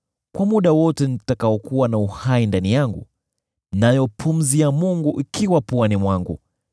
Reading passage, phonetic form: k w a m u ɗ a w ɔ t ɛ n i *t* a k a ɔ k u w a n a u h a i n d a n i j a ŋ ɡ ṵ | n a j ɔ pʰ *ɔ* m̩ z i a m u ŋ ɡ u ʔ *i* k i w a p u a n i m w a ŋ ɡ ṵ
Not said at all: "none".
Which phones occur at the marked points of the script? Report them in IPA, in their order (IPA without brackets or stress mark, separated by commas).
t, u, i